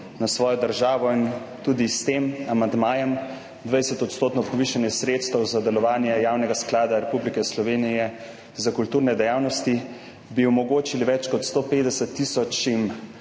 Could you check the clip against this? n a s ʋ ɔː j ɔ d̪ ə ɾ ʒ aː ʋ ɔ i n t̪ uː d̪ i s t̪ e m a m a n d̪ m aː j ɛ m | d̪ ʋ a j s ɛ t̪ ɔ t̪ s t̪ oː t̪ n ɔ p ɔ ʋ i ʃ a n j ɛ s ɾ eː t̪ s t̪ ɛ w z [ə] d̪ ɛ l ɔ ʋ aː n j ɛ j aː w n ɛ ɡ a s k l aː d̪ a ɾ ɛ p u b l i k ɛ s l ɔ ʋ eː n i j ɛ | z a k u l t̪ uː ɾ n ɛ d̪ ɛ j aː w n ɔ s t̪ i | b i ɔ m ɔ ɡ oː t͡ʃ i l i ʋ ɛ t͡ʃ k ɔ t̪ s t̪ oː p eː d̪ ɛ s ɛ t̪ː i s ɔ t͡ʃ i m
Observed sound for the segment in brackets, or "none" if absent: a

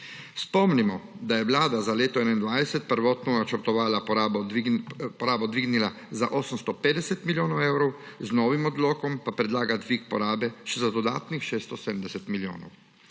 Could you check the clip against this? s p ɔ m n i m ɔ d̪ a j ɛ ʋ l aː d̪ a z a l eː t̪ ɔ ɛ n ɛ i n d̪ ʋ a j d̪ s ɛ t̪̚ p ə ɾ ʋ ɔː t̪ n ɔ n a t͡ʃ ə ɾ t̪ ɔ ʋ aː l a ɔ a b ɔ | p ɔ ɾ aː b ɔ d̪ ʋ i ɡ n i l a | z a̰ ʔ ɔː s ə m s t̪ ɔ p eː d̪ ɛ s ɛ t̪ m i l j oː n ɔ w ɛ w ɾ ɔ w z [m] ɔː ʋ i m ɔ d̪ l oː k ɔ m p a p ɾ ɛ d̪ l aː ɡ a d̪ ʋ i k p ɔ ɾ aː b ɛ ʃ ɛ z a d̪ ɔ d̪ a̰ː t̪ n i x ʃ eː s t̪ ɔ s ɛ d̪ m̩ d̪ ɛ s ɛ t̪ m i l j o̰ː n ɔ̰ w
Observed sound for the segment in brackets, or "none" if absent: n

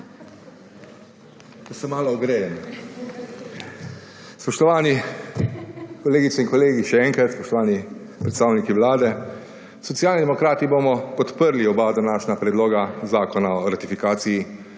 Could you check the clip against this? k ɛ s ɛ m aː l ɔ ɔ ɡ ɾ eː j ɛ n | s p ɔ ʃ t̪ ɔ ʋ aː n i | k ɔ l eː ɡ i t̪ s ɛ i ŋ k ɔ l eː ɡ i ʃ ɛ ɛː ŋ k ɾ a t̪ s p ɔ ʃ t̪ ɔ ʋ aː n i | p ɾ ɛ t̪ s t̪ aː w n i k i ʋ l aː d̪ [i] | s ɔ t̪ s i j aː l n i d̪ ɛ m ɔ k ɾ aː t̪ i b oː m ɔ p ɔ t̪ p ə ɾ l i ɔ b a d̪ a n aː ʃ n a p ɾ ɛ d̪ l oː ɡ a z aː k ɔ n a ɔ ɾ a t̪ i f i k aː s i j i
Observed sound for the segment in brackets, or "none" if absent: ɛ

